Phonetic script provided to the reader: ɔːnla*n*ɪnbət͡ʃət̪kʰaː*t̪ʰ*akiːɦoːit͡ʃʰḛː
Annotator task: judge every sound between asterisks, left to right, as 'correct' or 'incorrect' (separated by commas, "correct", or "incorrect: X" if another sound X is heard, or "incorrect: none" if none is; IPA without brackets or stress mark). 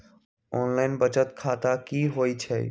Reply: incorrect: none, incorrect: t̪